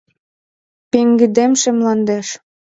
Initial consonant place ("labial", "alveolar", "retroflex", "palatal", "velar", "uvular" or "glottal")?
labial